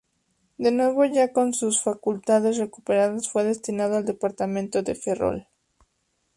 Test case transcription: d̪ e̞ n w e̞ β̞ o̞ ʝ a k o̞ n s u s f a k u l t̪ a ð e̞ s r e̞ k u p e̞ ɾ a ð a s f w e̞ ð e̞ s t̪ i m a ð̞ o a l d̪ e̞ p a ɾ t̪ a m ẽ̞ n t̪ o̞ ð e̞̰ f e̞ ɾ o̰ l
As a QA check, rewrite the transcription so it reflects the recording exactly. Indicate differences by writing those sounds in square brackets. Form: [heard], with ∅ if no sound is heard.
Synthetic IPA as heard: d̪ e̞ n w e̞ β̞ o̞ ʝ a k o̞ n s u s f a k u l t̪ a ð e̞ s r e̞ k u p e̞ ɾ a ð a s f w e̞ ð e̞ s t̪ i [n] a ð̞ o a l d̪ e̞ p a ɾ t̪ a m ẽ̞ n t̪ o̞ ð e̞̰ f e̞ [r] o̰ l